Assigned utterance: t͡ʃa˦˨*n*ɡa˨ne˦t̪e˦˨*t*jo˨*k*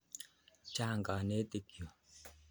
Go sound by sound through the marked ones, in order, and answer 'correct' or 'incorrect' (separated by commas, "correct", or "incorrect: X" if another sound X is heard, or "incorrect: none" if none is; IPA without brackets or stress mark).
incorrect: ŋ, incorrect: k, incorrect: none